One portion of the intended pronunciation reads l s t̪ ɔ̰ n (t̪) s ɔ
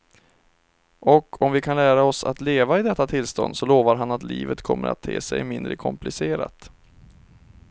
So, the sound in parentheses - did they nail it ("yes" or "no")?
no